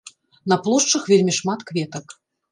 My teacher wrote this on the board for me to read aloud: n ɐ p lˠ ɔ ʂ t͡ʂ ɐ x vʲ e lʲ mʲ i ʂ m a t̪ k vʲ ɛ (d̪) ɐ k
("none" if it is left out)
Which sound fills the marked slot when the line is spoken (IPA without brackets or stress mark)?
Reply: t̪